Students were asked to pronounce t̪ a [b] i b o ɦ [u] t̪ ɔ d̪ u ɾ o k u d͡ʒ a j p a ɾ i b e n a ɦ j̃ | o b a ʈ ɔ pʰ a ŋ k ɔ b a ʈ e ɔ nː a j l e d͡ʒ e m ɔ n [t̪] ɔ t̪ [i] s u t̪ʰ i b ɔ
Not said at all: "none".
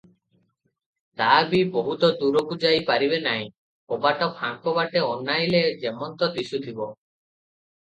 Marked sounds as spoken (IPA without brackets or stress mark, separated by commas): b, u, t̪, i